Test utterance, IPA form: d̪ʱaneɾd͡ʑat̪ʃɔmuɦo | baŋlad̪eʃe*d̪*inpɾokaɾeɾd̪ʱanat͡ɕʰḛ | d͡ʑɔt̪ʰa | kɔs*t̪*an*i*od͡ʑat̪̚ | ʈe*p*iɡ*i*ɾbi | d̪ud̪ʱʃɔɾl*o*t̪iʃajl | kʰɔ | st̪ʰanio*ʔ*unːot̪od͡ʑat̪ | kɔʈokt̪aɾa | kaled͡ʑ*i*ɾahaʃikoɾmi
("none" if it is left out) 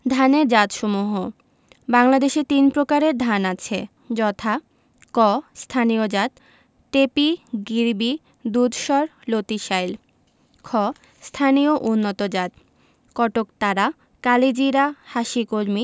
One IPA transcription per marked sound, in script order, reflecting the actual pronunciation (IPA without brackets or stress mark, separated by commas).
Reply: t̪, t̪ʰ, i, p, i, o, ʔ, i